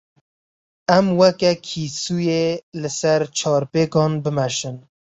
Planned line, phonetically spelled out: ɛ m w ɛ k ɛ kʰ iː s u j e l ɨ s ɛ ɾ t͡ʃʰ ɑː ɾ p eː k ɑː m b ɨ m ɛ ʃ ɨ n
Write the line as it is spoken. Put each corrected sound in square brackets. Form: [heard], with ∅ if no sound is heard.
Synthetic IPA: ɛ m w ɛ k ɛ kʰ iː s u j e l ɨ s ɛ ɾ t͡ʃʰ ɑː ɾ p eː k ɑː [n] b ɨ m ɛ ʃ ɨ n